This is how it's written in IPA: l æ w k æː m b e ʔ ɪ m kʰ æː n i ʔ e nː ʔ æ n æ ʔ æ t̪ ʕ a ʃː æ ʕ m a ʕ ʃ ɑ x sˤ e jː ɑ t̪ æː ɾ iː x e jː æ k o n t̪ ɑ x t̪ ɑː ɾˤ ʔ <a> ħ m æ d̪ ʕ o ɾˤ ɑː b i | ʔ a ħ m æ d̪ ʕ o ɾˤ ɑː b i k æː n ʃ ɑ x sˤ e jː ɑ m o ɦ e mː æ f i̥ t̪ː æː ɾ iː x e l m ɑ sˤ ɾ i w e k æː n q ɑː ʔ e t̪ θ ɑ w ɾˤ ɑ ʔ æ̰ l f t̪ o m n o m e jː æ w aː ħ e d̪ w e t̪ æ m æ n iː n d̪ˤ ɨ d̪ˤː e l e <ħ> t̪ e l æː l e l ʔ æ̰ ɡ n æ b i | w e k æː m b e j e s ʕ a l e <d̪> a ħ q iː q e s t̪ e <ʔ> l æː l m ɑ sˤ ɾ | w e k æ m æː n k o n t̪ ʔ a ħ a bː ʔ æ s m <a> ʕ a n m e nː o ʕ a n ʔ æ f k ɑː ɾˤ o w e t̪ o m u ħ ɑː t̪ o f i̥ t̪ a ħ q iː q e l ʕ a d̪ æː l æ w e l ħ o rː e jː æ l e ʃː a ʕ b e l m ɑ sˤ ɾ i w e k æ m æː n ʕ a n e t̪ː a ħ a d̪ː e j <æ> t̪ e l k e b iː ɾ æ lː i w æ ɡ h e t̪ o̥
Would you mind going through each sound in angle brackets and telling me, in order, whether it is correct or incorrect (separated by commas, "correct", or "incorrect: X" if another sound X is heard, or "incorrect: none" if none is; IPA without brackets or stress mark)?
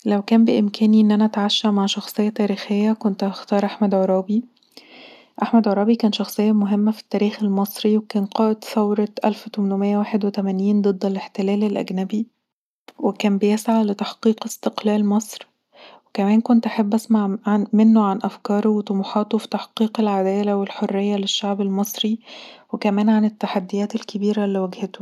correct, correct, incorrect: t̪, incorrect: q, correct, incorrect: æː